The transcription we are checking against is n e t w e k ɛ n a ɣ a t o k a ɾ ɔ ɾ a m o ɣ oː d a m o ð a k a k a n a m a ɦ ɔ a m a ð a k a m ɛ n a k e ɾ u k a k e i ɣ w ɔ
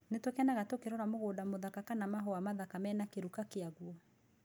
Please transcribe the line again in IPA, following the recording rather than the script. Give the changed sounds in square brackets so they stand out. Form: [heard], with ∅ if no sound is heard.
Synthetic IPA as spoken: n e t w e k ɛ n a ɣ a t o k [e] ɾ ɔ ɾ a m o ɣ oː d a m o ð a k a k a n a m a ɦ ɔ a m a ð a k a m ɛ n a k e ɾ u k a k e [a] ɣ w ɔ

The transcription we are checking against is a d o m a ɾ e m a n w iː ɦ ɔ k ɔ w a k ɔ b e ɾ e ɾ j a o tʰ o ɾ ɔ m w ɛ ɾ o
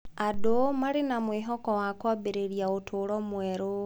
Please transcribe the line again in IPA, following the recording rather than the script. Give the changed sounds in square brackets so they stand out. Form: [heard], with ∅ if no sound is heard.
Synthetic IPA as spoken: a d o m a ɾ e [n] a [m] w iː ɦ ɔ k ɔ w a k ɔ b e ɾ e ɾ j a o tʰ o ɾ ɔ m w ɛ ɾ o

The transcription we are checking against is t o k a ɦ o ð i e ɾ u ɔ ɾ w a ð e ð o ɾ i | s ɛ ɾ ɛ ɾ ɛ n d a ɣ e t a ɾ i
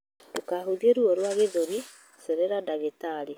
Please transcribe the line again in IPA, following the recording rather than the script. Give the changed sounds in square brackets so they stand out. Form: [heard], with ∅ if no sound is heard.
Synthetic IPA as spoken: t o k a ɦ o ð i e ɾ u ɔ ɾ w a [ɣ] e ð o ɾ i | s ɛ ɾ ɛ ɾ [a] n d a ɣ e t a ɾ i

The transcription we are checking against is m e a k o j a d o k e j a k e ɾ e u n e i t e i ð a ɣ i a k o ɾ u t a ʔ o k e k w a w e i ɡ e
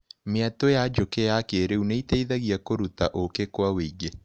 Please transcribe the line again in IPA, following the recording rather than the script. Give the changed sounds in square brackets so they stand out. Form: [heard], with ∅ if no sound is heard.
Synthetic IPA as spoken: m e a [t] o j a [d͡ʒ] o k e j a k e ɾ e u n e i t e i ð a ɣ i a k o ɾ u t a ʔ o k e k w a w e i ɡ e

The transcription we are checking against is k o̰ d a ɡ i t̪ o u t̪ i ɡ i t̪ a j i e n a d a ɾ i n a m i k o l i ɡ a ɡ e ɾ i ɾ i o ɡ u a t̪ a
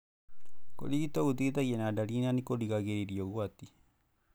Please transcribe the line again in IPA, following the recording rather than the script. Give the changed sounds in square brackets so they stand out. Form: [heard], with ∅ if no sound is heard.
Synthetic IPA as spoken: k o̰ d [i] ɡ i t̪ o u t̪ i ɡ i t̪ a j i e n a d a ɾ i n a [n] i k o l i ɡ a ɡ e ɾ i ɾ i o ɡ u a t̪ [i]

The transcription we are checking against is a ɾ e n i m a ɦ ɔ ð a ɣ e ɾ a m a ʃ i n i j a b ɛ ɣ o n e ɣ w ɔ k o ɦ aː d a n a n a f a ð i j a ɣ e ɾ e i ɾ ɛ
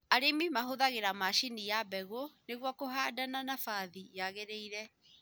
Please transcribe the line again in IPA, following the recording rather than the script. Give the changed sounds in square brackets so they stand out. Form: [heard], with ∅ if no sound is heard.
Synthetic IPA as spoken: a ɾ e [m] i m a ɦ [o] ð a ɣ e ɾ a m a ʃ i n i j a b ɛ ɣ o n e ɣ w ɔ k o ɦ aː d a n a n a f a ð i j a ɣ e ɾ e i ɾ ɛ

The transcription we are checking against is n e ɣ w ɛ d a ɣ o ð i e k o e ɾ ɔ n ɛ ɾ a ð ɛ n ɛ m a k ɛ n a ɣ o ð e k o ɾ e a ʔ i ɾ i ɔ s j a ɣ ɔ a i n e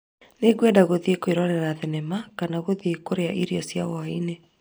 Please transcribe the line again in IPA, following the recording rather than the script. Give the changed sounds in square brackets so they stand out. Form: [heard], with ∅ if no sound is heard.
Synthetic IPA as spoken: n e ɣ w ɛ d a ɣ o ð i e k o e ɾ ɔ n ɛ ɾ a ð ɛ n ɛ m a k [a] n a ɣ o ð e k o ɾ e a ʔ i ɾ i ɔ s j a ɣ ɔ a i n e

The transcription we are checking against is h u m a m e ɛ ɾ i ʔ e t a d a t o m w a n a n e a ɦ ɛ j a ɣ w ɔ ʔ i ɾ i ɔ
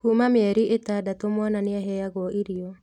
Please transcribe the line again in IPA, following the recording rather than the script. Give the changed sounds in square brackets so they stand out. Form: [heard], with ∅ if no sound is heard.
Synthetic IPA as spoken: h u m a m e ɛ ɾ i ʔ e t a d a t o m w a n a n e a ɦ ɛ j a ɣ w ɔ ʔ i ɾ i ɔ

